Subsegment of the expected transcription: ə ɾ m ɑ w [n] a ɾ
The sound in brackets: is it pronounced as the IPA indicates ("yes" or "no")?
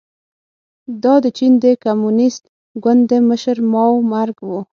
no